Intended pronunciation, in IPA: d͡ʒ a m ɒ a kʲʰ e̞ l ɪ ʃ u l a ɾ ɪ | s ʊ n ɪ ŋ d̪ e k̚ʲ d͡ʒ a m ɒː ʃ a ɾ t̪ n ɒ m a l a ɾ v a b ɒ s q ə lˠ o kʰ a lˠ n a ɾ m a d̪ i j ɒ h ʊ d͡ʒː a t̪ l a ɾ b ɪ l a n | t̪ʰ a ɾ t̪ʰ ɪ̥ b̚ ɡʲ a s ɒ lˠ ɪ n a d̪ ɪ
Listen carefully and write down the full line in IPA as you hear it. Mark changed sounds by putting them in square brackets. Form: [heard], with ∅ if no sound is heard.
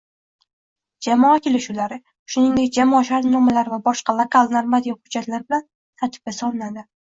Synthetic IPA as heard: d͡ʒ a m ɒ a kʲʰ e̞ l ɪ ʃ u l a ɾ ɪ | [ʃ] ʊ n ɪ ŋ d̪ e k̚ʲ d͡ʒ a m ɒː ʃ a ɾ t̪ n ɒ m a l a ɾ v a b ɒ [ʃ] q [ɑ] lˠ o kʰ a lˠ n a ɾ m a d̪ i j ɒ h ʊ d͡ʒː a t̪ l a ɾ b ɪ l a n | t̪ʰ a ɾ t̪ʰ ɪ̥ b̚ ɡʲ a s ɒ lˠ ɪ n a d̪ ɪ